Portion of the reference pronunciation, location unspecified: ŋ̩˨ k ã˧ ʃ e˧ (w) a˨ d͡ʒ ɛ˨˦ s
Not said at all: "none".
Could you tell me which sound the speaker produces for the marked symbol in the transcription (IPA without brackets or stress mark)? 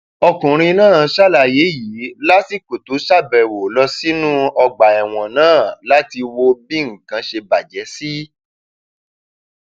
b